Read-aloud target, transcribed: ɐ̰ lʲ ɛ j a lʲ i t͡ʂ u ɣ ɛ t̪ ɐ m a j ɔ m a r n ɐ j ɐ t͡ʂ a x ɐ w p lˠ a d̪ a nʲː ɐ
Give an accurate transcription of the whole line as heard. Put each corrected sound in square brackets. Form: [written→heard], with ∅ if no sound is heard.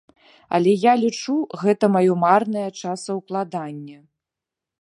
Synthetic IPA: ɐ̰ lʲ ɛ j a lʲ i t͡ʂ u ɣ ɛ t̪ ɐ m a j ɔ m a r n ɐ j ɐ t͡ʂ a [x→s] ɐ w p lˠ a d̪ a nʲː ɐ